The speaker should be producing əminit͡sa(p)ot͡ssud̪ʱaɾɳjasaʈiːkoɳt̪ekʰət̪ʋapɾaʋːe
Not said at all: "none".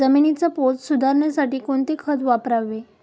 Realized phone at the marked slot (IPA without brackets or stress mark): p